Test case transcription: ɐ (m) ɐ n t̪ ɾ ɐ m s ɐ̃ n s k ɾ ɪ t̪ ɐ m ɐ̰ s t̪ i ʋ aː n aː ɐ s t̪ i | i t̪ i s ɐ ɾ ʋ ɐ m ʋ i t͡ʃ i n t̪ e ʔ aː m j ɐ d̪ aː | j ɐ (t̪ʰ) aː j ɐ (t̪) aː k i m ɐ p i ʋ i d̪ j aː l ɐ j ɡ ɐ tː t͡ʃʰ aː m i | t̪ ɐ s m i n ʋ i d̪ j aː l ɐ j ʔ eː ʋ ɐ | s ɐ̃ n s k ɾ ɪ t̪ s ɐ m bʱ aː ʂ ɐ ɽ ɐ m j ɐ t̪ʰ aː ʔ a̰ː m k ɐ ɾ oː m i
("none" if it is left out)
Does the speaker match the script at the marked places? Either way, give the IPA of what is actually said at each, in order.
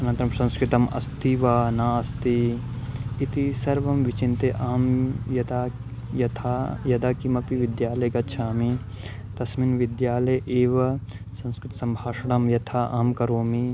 n, t̪ʰ, d̪

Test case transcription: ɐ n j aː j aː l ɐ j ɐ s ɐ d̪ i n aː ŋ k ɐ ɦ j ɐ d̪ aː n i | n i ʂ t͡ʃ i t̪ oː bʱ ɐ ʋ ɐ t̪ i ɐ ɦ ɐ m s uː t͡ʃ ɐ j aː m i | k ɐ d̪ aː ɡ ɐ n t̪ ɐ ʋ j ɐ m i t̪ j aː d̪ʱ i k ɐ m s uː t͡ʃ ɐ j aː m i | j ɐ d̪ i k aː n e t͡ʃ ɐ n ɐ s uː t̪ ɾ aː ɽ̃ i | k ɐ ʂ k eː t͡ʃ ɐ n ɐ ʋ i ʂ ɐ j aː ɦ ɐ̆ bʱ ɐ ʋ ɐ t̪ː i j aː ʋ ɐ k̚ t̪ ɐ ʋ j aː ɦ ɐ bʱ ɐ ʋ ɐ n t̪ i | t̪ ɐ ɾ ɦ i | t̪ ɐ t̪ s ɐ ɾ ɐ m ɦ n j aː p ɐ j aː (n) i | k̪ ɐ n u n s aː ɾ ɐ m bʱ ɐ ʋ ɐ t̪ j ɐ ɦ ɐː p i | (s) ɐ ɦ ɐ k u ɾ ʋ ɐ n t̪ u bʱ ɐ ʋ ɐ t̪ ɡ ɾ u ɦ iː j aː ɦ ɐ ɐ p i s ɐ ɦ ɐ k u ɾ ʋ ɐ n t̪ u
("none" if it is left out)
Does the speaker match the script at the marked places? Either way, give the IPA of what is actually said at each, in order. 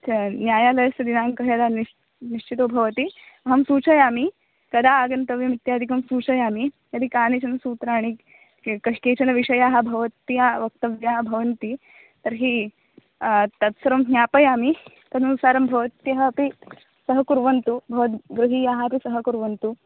m, s

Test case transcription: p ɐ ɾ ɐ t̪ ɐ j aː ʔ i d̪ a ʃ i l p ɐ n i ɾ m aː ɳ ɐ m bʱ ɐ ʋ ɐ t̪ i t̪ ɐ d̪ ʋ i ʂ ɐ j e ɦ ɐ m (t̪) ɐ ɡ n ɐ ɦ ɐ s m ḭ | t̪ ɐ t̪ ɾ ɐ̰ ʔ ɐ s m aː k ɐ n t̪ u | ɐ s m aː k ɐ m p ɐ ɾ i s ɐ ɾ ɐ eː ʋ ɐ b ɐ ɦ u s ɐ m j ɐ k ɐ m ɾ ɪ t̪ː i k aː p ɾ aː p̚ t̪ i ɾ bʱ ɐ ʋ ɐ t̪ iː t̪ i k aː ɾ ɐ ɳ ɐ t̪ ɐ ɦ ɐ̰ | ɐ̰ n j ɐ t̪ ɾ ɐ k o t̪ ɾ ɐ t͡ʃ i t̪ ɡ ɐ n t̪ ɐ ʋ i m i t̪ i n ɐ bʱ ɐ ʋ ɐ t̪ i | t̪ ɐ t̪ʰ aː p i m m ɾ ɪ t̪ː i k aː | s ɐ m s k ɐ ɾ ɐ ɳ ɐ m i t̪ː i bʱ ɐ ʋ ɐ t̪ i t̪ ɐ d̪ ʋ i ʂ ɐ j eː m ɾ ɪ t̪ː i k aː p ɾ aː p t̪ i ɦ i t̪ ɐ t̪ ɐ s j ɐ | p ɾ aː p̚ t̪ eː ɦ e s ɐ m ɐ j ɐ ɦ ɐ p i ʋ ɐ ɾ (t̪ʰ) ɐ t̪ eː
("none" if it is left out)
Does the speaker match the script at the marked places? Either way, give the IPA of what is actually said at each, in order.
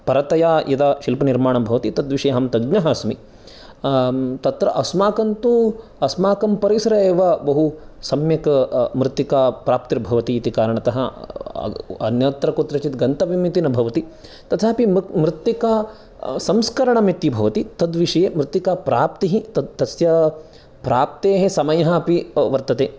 t̪, t̪

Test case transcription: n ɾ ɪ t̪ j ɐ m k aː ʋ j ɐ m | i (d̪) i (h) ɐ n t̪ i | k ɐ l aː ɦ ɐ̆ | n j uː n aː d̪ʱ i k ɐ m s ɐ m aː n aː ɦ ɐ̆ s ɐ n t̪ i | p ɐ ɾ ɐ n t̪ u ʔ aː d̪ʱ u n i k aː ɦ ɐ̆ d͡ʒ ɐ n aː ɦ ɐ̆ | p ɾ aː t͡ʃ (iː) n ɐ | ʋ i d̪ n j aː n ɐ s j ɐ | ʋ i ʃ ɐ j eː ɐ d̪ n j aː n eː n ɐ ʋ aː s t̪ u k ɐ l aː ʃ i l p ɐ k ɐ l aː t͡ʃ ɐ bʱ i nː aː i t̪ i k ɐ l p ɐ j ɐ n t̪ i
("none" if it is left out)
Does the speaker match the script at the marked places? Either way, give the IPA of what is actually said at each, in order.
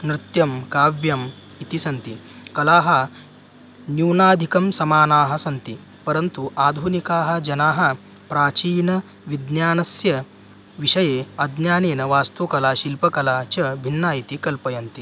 t̪, s, iː

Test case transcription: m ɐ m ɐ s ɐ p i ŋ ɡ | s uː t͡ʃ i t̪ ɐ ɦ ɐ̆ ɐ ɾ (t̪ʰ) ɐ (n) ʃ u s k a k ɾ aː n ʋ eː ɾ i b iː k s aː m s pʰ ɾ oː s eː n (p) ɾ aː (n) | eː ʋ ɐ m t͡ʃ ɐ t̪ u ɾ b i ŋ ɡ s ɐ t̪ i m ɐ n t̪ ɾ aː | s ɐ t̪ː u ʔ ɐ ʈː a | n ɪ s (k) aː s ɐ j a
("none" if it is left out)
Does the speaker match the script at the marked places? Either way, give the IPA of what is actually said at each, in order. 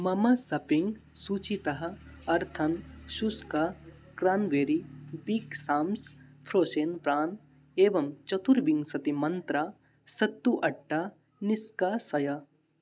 t̪ʰ, n, p, n, k

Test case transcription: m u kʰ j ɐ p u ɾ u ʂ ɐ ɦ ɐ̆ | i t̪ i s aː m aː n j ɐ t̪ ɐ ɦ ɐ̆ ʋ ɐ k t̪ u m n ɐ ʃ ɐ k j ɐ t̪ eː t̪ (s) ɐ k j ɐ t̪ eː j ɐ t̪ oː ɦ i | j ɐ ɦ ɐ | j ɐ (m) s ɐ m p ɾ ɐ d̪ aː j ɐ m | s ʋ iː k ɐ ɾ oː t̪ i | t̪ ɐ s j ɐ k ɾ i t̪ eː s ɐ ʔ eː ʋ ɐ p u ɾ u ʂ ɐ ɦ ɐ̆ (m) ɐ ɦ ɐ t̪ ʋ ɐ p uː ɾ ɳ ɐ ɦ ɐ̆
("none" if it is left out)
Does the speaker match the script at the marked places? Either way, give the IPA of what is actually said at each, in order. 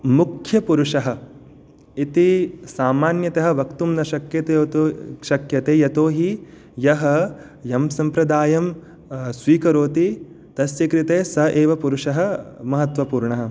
ʃ, m, m

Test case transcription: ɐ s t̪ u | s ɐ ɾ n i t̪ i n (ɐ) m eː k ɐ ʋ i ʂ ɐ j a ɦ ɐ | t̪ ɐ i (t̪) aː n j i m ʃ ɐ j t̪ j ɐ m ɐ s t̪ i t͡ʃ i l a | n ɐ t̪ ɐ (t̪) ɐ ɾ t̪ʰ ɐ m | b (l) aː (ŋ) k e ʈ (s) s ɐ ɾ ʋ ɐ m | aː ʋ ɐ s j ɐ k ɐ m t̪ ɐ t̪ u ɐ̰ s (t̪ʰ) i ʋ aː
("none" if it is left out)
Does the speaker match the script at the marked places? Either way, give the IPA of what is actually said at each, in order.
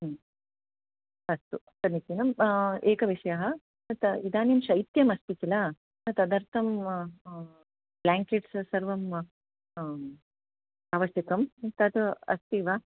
ɐ, d̪, d̪, l, ŋ, s, t̪

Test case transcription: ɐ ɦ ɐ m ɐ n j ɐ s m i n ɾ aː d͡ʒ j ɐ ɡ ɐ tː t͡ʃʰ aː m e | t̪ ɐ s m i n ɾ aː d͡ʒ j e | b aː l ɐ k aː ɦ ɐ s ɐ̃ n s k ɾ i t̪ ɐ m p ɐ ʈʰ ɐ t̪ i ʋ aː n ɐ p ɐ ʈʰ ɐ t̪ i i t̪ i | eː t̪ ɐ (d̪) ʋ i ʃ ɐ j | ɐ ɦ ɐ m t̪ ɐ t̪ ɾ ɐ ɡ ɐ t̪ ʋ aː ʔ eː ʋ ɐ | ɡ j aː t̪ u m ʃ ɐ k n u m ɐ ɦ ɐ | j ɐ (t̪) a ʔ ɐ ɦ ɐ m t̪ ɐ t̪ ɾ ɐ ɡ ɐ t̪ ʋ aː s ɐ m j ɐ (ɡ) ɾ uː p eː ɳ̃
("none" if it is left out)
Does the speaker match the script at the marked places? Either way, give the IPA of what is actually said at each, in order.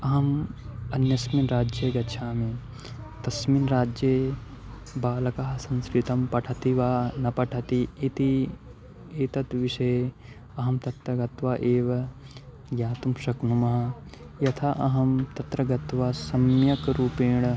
t̪, t̪ʰ, k

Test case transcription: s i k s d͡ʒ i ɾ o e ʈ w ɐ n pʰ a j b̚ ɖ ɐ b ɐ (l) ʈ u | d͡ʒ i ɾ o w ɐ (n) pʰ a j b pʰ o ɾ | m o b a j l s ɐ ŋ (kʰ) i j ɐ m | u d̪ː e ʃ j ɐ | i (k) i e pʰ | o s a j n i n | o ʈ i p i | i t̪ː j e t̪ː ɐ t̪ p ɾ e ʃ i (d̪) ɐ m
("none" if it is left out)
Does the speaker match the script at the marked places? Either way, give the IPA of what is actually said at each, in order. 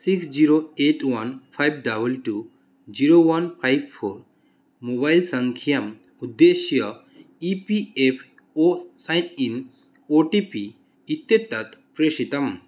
l, n, kʰ, p, t̪

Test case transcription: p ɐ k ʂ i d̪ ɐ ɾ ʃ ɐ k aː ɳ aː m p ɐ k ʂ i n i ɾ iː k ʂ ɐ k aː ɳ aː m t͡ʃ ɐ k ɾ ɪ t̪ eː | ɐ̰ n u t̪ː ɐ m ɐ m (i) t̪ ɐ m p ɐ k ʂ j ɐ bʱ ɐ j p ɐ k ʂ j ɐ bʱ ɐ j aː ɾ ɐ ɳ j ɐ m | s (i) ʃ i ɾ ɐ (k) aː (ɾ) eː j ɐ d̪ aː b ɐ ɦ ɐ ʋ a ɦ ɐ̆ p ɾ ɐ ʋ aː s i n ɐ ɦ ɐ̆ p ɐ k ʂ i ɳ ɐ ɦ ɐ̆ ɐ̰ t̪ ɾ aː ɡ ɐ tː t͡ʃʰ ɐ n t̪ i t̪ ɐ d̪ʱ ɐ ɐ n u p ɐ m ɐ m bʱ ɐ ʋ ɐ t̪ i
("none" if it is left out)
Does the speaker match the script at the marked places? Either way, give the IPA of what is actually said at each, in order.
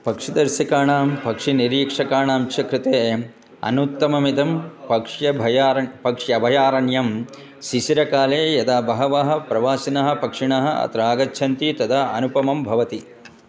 i, i, k, l

